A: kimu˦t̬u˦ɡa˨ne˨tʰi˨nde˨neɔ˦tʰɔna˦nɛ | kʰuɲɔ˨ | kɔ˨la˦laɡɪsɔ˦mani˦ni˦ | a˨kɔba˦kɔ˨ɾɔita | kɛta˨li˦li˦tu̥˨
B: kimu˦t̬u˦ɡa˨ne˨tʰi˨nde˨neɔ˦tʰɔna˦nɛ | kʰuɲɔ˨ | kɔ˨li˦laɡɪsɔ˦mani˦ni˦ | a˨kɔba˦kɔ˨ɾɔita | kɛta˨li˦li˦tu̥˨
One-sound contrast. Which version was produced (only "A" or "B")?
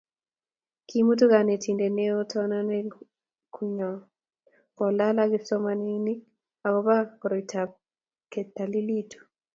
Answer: A